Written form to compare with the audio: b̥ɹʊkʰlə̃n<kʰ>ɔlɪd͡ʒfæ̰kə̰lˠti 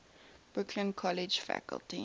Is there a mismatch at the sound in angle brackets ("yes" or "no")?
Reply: no